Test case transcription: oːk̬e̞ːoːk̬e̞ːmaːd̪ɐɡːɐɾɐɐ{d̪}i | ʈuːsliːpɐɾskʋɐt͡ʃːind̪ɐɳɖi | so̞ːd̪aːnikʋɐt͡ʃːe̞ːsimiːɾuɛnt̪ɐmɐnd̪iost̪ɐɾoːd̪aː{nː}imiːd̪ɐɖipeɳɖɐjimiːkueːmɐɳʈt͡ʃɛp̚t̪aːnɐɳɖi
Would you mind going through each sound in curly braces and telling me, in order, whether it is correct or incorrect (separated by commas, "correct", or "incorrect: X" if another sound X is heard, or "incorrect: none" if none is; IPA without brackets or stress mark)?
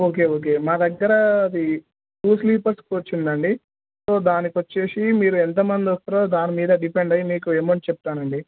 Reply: correct, incorrect: n